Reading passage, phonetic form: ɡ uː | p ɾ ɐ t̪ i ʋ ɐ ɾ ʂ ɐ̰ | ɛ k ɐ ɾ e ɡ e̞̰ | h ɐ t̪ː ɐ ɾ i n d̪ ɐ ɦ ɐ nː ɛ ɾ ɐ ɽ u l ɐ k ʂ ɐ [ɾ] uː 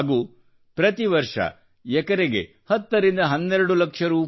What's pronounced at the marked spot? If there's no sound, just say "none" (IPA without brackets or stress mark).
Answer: ɾ